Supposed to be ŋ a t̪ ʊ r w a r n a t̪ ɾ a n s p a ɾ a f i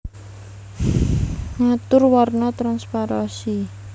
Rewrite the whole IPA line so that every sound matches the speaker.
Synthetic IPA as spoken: ŋ a t̪ ʊ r w a r n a t̪ ɾ a n s p a ɾ a s i